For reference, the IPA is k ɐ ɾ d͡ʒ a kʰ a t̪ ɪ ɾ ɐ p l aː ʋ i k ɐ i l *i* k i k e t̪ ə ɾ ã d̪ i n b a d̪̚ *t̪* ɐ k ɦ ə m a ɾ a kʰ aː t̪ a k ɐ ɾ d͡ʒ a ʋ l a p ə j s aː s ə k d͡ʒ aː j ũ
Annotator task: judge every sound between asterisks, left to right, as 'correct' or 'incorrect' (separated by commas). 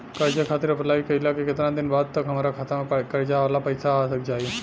incorrect, correct